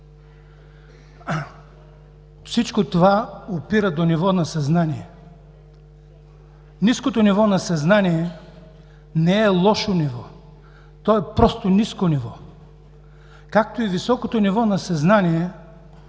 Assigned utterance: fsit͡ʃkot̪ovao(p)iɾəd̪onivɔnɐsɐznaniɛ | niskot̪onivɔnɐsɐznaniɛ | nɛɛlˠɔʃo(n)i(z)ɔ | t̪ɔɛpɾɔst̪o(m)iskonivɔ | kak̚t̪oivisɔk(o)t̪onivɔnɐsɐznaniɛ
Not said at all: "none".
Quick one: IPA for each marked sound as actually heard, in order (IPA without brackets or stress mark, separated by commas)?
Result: p, n, v, n, o